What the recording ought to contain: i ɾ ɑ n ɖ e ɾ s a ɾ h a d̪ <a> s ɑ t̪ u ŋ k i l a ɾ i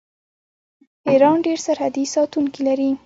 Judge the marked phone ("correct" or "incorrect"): incorrect